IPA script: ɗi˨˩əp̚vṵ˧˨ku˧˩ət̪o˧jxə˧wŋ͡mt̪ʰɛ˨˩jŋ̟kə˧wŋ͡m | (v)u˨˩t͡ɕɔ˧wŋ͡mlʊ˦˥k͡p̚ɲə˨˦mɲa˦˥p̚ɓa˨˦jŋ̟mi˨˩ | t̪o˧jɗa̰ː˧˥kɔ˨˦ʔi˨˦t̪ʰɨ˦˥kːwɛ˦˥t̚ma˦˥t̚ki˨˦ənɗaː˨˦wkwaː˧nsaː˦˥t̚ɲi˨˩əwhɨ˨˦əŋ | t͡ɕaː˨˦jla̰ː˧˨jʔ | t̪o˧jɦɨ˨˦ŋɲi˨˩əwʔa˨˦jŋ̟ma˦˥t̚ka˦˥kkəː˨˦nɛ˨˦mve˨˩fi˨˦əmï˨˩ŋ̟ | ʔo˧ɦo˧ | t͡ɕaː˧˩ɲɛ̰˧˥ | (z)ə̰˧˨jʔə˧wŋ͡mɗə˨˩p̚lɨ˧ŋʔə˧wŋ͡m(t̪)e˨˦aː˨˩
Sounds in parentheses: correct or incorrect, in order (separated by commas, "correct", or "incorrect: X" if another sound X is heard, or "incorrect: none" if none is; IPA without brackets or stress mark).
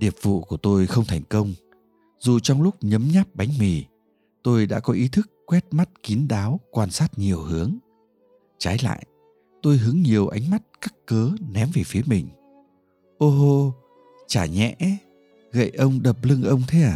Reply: incorrect: z, incorrect: ɣ, incorrect: t̪ʰ